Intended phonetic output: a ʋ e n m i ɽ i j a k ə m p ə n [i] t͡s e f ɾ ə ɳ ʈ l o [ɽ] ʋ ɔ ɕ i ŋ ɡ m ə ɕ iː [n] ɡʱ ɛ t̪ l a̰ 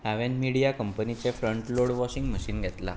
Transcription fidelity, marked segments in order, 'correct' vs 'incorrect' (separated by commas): correct, correct, correct